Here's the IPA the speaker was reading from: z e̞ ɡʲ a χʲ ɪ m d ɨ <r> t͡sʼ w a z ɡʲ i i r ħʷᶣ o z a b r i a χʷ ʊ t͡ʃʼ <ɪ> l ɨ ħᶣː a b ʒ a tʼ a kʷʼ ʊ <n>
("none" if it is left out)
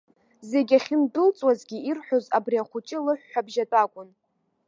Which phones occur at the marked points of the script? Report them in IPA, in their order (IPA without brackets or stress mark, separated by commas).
l, ɪ, n